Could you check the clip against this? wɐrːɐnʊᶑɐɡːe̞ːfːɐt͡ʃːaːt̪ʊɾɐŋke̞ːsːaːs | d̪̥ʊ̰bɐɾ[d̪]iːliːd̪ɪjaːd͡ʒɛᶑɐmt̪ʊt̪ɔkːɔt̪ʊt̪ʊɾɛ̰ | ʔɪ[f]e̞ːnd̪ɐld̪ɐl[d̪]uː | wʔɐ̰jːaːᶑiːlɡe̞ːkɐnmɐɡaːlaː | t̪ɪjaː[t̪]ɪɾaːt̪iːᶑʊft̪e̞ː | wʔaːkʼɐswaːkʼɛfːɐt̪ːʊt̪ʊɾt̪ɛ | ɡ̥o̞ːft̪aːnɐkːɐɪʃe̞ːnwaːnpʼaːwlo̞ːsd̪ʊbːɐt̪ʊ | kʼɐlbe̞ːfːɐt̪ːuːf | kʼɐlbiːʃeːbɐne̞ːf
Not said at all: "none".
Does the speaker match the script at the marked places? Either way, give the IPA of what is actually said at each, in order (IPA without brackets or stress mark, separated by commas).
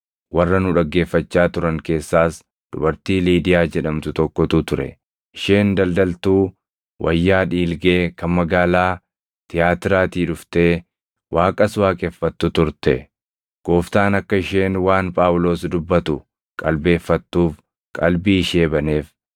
t̪, ʃ, t̪, t̪